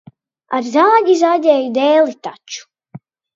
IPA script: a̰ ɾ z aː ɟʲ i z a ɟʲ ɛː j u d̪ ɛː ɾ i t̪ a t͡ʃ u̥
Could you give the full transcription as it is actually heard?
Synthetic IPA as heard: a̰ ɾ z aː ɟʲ i z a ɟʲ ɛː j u d̪ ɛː l i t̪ a t͡ʃ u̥